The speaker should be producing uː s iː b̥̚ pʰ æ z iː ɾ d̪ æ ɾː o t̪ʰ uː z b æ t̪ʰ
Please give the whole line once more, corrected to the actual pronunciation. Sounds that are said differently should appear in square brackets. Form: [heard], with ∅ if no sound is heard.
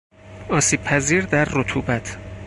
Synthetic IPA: [ɒː] s iː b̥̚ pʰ æ z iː ɾ d̪ æ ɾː o t̪ʰ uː [∅] b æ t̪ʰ